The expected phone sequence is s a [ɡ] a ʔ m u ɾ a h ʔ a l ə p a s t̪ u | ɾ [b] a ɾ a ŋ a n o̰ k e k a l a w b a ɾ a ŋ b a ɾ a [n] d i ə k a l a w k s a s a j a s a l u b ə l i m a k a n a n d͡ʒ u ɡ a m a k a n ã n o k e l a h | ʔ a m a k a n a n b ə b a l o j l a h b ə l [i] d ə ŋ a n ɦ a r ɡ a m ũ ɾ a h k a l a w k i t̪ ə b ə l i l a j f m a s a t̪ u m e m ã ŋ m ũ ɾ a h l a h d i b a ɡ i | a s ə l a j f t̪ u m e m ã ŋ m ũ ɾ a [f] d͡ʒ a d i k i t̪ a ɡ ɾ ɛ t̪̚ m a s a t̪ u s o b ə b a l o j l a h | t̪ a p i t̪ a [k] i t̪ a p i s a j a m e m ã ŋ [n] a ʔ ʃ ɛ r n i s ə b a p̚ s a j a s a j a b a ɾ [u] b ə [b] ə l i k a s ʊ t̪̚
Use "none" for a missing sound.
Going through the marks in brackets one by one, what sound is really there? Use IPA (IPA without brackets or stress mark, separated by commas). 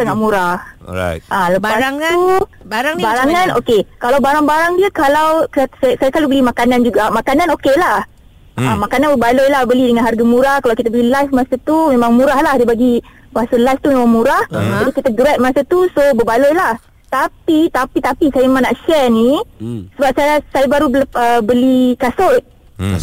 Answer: ŋ, b, ŋ, i, h, p, n, u, b